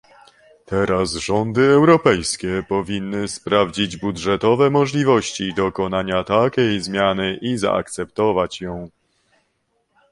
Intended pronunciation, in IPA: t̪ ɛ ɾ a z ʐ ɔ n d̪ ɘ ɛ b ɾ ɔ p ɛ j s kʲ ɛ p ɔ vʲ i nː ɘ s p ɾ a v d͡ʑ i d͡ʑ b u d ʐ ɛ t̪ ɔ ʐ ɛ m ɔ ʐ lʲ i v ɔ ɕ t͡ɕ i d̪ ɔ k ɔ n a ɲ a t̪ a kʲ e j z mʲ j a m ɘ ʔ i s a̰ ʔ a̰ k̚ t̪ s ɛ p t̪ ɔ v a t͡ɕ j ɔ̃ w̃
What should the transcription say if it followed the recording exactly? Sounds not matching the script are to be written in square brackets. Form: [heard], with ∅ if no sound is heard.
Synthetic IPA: t̪ ɛ ɾ a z ʐ ɔ n d̪ ɘ ɛ [w] ɾ ɔ p ɛ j s kʲ ɛ p ɔ vʲ i nː ɘ s p ɾ a v d͡ʑ i d͡ʑ b u d ʐ ɛ t̪ ɔ [v] ɛ m ɔ ʐ lʲ i v ɔ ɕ t͡ɕ i d̪ ɔ k ɔ n a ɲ a t̪ a kʲ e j z mʲ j a [n] ɘ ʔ i [z] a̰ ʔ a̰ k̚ t̪ s ɛ p t̪ ɔ v a t͡ɕ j ɔ̃ w̃